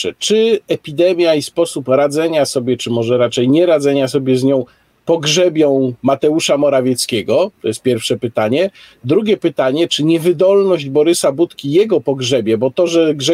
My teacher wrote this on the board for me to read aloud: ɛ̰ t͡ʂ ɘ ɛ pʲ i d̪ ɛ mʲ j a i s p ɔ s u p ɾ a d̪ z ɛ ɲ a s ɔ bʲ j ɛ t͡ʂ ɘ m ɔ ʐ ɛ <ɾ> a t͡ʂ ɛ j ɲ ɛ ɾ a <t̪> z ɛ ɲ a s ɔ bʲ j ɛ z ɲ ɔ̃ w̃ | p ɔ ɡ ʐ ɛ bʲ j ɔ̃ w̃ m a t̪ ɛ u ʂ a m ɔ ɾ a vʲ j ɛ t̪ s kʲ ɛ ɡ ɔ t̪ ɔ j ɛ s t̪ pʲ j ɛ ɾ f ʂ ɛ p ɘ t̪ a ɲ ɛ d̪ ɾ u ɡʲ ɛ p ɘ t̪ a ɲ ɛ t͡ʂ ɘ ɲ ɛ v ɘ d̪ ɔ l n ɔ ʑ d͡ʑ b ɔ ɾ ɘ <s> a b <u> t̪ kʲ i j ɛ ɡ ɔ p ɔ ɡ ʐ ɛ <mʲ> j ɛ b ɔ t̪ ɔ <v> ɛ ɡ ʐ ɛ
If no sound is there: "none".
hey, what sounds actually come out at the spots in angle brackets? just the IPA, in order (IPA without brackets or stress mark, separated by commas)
ɾ, d̪, s, u, bʲ, ʐ